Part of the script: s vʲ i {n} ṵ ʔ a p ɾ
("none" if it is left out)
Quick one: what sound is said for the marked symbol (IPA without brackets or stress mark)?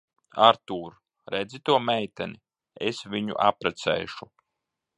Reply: ɲ